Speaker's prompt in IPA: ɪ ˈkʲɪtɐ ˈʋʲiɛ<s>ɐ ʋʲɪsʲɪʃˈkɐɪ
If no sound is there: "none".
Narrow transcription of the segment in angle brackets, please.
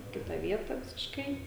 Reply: t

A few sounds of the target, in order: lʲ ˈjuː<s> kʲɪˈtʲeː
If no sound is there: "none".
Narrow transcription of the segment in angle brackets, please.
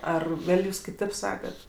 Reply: s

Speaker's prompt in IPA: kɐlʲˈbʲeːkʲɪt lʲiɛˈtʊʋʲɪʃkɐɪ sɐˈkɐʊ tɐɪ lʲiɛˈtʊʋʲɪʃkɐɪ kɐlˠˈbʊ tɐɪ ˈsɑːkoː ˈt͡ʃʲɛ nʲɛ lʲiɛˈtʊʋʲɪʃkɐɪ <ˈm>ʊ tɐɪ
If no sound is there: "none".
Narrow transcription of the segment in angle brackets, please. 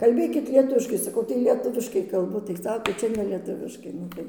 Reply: n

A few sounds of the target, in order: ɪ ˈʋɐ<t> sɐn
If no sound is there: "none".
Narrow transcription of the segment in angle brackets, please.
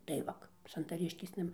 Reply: k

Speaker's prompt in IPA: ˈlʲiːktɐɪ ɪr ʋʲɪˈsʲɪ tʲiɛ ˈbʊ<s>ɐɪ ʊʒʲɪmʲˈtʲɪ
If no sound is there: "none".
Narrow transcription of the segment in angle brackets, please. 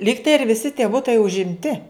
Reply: t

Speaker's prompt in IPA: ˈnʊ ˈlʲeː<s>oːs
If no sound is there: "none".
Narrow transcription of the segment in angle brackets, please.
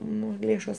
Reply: ʃ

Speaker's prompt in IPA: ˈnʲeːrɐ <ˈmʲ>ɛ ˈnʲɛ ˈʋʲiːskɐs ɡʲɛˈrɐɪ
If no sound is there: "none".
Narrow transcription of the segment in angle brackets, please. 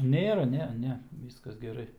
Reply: nʲ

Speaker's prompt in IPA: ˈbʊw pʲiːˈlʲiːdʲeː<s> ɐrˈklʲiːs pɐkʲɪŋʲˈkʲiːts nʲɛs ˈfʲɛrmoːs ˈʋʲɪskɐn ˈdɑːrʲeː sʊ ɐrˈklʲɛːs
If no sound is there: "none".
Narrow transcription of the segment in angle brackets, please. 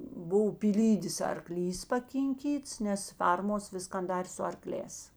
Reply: s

